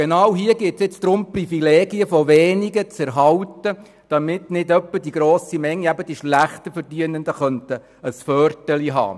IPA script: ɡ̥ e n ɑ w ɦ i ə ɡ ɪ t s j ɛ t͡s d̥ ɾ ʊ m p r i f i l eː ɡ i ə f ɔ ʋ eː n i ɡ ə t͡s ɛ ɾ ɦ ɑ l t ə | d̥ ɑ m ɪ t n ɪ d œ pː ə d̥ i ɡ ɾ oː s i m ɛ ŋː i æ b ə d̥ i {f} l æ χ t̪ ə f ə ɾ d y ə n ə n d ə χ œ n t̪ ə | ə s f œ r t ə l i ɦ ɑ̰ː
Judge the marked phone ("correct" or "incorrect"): incorrect